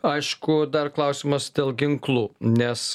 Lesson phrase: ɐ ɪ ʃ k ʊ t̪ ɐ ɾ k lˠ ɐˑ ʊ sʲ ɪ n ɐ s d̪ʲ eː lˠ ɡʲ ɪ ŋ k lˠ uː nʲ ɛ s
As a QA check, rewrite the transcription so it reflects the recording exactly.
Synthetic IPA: ɐ ɪ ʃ k ʊ d̪ ɐ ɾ k lˠ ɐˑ ʊ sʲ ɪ m ɐ s d̪ʲ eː lˠ ɡʲ ɪ ŋ k lˠ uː nʲ ɛ s